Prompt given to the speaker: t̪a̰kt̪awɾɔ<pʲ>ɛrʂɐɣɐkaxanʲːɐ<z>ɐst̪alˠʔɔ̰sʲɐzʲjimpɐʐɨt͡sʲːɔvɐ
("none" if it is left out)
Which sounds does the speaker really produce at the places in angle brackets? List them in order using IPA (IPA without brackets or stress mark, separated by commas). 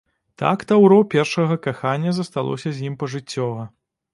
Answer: pʲ, z